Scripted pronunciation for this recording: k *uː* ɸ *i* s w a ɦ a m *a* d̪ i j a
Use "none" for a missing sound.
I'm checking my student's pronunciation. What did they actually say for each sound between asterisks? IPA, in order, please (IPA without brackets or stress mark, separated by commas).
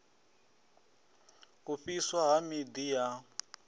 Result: u, i, i